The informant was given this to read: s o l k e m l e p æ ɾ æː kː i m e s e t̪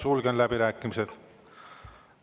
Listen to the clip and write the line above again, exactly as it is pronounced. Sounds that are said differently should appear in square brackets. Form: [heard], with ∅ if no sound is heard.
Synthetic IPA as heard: s [u] l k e [n] l [æ] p [i] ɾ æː kː i m [i] s e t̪